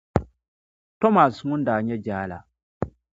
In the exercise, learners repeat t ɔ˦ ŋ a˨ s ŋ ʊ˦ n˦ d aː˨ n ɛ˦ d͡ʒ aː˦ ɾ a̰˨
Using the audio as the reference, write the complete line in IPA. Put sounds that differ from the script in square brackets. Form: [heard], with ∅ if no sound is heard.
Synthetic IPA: t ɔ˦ [m] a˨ s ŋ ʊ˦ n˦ d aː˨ [ɲ] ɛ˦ d͡ʒ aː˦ [l] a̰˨